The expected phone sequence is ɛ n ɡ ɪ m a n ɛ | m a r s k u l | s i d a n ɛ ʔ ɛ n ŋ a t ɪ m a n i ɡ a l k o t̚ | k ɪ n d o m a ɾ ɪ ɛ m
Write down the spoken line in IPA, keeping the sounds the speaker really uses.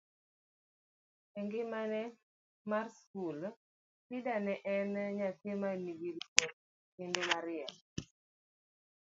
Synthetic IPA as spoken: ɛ ŋ ɡ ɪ m a n ɛ | m a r s k u l | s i d a n ɛ ʔ ɛ n ɲ a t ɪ m a n i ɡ i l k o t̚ | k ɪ n d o m a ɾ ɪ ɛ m

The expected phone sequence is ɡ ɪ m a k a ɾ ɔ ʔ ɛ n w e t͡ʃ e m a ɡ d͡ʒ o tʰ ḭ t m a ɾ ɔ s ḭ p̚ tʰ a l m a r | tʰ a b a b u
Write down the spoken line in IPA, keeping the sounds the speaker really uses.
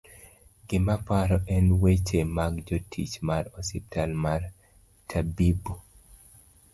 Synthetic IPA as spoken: ɡ ɪ m a p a ɾ ɔ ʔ ɛ n w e t͡ʃ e m a ɡ d͡ʒ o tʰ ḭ t͡ʃ m a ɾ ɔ s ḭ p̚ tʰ a l m a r | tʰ a b i b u

